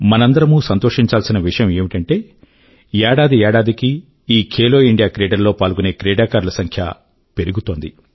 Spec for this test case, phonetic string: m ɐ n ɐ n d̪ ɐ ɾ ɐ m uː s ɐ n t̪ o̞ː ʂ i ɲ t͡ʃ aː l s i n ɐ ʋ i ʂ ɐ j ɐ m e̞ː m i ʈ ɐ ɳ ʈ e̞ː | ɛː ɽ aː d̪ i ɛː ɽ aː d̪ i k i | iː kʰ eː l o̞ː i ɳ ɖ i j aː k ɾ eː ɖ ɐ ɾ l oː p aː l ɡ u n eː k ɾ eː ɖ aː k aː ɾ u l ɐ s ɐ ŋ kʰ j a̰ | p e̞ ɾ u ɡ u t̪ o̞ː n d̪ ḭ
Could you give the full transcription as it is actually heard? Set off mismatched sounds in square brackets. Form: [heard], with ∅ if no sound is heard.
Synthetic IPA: m ɐ n ɐ n d̪ ɐ ɾ ɐ m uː s ɐ n t̪ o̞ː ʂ i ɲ t͡ʃ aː l s i n ɐ ʋ i ʂ ɐ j ɐ m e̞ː m i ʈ ɐ ɳ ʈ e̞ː | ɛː ɽ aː d̪ i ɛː ɽ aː d̪ i k i | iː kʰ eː l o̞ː i ɳ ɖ i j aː k ɾ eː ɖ ɐ ɾ l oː p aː l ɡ u n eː k ɾ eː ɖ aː k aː ɾ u l ɐ s ɐ ŋ kʰ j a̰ | p e̞ ɾ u ɡ u t̪ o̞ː n d̪ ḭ